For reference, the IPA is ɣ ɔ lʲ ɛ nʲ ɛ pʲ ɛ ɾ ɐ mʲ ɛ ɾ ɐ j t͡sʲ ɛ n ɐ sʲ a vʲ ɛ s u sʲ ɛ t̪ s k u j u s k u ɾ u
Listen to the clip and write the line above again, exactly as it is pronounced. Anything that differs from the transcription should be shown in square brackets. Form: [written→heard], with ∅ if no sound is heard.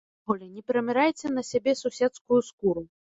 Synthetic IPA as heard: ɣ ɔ lʲ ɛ nʲ ɛ pʲ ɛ ɾ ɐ mʲ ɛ ɾ [ɐ→a] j t͡sʲ ɛ n ɐ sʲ a [vʲ→bʲ] ɛ s u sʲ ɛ t̪ s k u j u s k u ɾ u